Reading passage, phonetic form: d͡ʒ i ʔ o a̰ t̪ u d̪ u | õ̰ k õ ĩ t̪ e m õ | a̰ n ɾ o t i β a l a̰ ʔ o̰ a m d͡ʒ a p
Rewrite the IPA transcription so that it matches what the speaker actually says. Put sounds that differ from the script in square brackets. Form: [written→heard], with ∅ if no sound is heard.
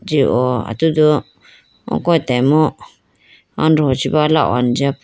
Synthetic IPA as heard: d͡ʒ i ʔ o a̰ t̪ u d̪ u | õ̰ k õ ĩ t̪ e m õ | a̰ n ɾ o [t→t͡ʃ] i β a l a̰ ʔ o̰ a [m→n] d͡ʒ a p